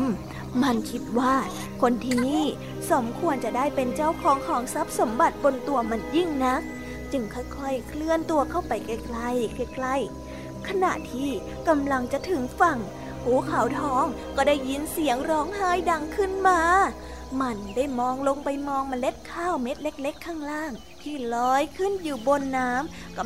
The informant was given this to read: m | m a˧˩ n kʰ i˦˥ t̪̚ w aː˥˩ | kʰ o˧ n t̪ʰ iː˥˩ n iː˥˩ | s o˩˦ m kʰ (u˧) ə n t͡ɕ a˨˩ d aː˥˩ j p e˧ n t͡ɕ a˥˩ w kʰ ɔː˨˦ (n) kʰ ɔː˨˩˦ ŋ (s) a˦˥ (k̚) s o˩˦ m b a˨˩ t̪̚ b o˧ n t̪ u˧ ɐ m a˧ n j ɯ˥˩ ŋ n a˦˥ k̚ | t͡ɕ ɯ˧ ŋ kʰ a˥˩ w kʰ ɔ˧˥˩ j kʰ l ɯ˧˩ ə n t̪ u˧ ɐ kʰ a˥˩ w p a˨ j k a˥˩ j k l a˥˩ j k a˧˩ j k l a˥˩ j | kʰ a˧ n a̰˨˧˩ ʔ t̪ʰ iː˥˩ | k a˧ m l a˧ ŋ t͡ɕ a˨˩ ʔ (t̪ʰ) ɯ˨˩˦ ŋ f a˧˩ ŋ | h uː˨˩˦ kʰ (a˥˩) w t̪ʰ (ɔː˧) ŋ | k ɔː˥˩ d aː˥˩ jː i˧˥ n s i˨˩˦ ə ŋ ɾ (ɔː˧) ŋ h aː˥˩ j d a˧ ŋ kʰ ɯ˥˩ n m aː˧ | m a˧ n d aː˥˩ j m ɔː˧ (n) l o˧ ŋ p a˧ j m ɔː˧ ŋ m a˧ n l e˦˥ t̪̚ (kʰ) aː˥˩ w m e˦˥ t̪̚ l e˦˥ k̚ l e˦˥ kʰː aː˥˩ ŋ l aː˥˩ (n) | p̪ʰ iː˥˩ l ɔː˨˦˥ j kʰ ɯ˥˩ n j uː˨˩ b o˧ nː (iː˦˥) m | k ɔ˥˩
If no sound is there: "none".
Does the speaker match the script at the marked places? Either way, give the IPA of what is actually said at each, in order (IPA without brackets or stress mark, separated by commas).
u˧, ŋ, s, p̚, t̪ʰ, a˨˩˦, ɔː˦˥, ɔː˦˥, ŋ, kʰ, ŋ, aː˦˥